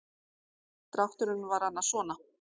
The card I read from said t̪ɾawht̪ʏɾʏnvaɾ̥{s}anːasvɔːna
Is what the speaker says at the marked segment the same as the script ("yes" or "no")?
no